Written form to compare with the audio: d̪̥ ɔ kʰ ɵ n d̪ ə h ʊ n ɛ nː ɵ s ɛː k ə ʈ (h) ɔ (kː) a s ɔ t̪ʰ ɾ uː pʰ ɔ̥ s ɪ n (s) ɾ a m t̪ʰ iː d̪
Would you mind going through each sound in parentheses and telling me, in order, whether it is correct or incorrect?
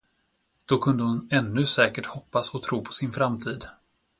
correct, incorrect, incorrect

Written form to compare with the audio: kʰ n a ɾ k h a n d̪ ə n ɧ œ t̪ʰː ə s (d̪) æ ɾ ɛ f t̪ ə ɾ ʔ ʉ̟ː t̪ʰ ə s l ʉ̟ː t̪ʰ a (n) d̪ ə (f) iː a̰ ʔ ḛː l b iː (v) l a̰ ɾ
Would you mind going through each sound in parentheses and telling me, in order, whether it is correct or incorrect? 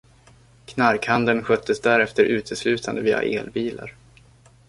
correct, correct, incorrect, incorrect

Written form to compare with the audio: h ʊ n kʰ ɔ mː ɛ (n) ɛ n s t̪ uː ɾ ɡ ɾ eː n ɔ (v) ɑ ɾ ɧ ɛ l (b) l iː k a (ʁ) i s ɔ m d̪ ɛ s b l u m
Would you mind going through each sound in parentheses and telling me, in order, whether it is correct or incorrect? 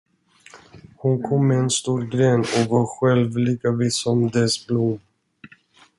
incorrect, correct, incorrect, incorrect

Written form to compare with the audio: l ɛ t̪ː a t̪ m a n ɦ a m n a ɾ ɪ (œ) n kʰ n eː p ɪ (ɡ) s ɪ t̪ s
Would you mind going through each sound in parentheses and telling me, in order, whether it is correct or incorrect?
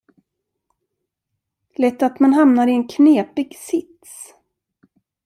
incorrect, correct

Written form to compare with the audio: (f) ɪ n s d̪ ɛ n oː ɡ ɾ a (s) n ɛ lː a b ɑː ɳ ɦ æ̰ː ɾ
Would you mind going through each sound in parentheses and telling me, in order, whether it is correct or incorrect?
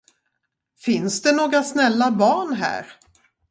correct, correct

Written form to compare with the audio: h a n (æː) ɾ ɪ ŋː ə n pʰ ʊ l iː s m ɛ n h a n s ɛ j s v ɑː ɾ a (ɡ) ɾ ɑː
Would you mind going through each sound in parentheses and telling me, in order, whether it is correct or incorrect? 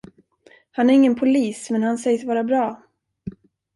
incorrect, incorrect

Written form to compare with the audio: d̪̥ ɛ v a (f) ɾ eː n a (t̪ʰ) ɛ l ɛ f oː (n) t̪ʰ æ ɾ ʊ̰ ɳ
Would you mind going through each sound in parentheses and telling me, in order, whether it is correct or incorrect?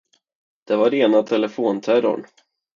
incorrect, correct, correct

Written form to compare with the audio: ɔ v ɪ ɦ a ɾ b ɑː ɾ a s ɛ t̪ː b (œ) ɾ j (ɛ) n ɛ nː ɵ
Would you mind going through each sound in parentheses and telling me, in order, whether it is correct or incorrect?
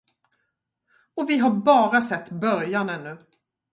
correct, incorrect

